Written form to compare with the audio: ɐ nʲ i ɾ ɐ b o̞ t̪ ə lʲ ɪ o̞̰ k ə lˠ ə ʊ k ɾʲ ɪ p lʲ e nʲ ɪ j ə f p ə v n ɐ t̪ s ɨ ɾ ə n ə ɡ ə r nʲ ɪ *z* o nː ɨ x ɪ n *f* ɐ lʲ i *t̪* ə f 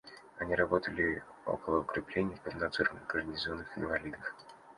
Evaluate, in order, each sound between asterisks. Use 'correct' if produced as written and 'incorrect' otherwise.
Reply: correct, incorrect: v, incorrect: d̪

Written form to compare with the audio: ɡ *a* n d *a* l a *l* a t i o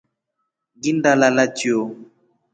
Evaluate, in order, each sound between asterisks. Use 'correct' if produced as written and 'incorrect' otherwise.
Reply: incorrect: i, correct, correct

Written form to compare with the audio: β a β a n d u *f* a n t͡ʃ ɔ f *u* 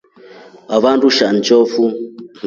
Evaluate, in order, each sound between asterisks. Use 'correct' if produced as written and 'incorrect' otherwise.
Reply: incorrect: ʃ, correct

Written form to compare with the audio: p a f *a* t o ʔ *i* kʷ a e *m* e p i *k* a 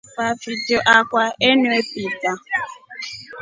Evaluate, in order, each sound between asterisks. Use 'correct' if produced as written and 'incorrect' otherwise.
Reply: incorrect: i, incorrect: a, incorrect: n, incorrect: t

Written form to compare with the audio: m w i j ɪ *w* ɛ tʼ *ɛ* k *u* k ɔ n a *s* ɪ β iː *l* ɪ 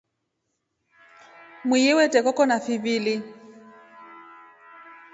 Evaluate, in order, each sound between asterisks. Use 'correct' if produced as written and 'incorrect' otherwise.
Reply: correct, correct, incorrect: ɔ, incorrect: f, correct

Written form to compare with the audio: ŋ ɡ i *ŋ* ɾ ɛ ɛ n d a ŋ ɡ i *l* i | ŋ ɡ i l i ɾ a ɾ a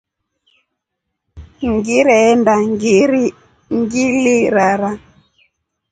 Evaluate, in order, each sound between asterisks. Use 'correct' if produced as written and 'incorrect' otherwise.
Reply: incorrect: none, incorrect: ɾ

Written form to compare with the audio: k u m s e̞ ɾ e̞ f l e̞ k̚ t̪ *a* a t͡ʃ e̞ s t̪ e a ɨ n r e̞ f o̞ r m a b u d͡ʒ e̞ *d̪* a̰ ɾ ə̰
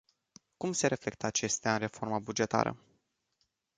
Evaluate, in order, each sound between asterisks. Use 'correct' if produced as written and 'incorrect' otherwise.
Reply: incorrect: ə, incorrect: t̪

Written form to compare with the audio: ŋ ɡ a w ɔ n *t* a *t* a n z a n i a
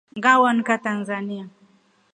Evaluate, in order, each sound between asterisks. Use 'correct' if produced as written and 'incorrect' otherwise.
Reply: incorrect: k, correct

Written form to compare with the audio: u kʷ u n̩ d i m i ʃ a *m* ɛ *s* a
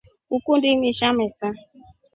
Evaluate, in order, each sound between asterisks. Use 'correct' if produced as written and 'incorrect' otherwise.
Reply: correct, correct

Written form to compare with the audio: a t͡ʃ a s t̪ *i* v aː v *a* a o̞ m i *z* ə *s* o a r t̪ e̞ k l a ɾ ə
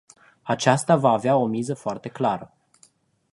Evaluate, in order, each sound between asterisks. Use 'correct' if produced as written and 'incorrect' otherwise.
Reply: incorrect: a, incorrect: e, correct, incorrect: f

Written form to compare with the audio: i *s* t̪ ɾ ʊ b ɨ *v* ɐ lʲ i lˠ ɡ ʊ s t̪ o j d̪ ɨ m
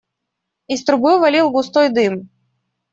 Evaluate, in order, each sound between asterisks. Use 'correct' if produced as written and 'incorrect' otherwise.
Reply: correct, correct

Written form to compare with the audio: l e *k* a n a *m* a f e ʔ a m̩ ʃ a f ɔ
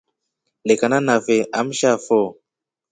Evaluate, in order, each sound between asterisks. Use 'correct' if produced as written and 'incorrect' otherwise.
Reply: correct, incorrect: n

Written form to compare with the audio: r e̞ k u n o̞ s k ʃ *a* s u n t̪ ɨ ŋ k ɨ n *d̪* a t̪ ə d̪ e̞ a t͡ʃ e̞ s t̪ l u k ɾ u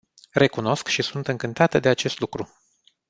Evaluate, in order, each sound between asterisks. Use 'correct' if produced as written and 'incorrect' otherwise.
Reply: incorrect: i, incorrect: t̪

